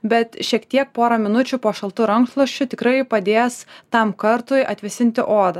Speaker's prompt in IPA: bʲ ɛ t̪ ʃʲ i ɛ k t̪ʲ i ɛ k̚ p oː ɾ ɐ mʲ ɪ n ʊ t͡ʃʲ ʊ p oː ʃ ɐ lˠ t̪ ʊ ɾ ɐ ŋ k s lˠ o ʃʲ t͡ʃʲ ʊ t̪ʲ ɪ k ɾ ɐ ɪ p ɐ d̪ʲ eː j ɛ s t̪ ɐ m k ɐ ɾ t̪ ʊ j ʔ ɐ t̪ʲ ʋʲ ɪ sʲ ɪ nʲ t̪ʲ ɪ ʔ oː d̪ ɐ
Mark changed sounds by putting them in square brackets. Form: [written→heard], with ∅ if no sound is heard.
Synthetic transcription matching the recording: bʲ ɛ t̪ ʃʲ i ɛ k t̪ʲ i ɛ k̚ p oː ɾ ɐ mʲ ɪ n ʊ t͡ʃʲ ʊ p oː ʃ ɐ lˠ t̪ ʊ ɾ ɐ ŋ k s lˠ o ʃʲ t͡ʃʲ ʊ t̪ʲ ɪ k ɾ ɐ ɪ p ɐ d̪ʲ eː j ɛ s t̪ ɐ m k ɐ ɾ t̪ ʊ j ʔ ɐ t̪ʲ ʋʲ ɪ sʲ ɪ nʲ t̪ʲ ɪ ʔ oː d̪ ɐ